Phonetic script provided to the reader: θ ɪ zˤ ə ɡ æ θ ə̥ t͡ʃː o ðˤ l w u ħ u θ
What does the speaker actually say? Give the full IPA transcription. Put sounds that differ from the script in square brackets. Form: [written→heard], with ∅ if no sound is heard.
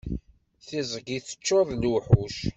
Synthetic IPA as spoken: θ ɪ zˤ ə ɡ [æ→i] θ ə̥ t͡ʃː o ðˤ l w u ħ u [θ→ʃ]